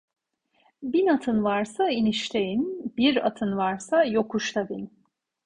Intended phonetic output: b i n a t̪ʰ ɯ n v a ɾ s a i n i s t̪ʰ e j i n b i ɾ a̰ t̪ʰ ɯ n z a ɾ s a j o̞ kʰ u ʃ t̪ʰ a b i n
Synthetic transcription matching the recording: b i n a t̪ʰ ɯ n v a ɾ s a i n i ʃ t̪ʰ e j i n b i ɾ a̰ t̪ʰ ɯ n v a ɾ s a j o̞ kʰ u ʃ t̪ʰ a b i n

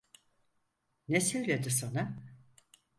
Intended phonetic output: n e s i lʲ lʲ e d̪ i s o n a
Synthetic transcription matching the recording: n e s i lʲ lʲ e d̪ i s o n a

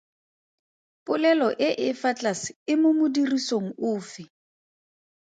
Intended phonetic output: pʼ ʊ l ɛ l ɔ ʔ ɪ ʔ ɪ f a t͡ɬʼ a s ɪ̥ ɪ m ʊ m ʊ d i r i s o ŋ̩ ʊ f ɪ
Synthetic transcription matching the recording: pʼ ʊ l ɛ l ɔ ʔ ɪ ʔ ɪ f a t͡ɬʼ a s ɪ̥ ɪ m ʊ m ʊ d i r i s o ŋ̩ ʊː f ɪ

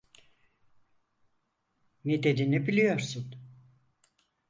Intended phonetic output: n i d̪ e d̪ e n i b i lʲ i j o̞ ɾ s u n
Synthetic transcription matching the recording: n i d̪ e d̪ i n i b i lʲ i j o̞ ɾ s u n

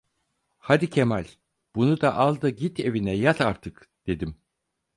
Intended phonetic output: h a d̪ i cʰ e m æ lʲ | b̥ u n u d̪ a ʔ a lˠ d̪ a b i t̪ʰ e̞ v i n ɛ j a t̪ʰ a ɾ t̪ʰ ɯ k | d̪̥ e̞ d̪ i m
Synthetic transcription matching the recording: h a d̪ i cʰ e m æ lʲ | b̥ u n u d̪ a ʔ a lˠ d̪ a ɟ i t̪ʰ e̞ v i n ɛ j a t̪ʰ a ɾ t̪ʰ ɯ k | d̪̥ e̞ d̪ i m

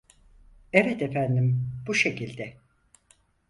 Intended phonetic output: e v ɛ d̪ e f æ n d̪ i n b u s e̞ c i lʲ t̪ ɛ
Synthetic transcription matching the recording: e v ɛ t̪ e f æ n d̪ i m b u ʃ e̞ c i lʲ d̪ ɛ

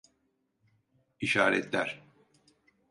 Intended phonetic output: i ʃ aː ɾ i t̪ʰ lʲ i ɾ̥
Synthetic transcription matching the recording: i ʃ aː ɾ ɛ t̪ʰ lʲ æ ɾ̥

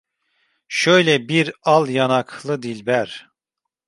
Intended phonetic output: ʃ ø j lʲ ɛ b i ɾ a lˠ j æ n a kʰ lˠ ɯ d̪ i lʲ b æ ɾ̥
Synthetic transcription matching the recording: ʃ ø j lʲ ɛ b i ɾ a lˠ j a n a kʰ lˠ ɯ d̪ i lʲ b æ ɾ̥

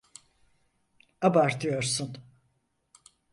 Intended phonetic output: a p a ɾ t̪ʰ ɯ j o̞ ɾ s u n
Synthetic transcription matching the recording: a b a ɾ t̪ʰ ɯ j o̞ ɾ s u n

